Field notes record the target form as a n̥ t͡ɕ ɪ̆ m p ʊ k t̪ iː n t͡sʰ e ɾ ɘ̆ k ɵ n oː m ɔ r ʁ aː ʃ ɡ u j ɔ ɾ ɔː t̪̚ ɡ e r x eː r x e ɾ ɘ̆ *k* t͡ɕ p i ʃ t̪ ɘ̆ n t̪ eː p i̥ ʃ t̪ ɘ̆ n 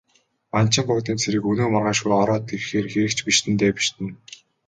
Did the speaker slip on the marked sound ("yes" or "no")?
no